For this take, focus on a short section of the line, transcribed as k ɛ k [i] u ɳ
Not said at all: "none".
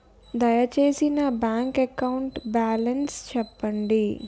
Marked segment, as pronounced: a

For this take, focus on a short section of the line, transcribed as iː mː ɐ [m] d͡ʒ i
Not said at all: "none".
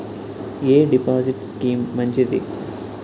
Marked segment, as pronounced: ɲ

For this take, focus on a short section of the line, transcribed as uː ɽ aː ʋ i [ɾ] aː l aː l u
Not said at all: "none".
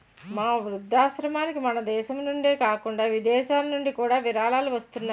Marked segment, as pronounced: ɾ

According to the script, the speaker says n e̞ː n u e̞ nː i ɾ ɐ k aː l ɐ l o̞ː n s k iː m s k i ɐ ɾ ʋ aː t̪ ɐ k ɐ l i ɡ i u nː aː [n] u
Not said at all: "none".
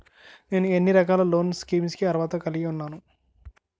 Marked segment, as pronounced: n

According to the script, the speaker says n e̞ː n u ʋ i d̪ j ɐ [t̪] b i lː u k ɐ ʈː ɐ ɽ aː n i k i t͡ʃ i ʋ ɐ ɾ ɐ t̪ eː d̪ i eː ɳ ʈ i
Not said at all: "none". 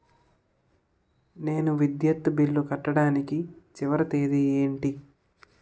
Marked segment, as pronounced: t̪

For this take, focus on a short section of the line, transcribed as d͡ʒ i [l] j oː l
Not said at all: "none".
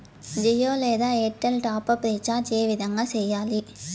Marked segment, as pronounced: none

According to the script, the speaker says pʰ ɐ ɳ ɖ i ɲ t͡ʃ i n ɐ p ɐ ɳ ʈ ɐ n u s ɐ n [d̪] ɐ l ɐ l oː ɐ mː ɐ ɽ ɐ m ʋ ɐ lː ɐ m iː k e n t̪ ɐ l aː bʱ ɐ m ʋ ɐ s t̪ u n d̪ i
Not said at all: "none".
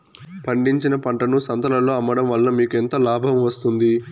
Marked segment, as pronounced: t̪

